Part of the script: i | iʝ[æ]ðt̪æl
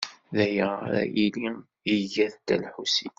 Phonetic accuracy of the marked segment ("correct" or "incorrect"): correct